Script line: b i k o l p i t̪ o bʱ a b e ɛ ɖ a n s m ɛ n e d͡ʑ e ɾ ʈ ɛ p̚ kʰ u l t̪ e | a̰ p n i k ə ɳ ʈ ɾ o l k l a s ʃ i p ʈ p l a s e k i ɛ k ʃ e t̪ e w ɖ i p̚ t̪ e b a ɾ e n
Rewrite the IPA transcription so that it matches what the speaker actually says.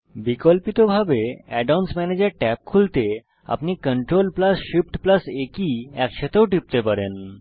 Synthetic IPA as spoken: b i k o l p i t̪ o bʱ a b e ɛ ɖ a n s m ɛ n e d͡ʑ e ɾ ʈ ɛ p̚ kʰ u l t̪ e | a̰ p n i k ə ɳ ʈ ɾ o l p l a s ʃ i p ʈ p l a s e k i ɛ k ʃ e t̪ e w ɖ i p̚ t̪ e p a ɾ e n